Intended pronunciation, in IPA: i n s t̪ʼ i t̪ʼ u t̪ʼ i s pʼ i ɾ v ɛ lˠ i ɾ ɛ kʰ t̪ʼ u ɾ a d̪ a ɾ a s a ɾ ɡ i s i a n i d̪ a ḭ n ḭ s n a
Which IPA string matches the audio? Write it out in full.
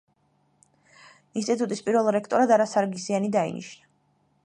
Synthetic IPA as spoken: i n s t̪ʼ i t̪ʼ u t̪ʼ i s pʼ i ɾ v ɛ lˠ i ɾ ɛ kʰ t̪ʼ ɔ ɾ a d̪ a ɾ a s a ɾ ɡ i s i a n i d̪ a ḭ n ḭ ʃ n a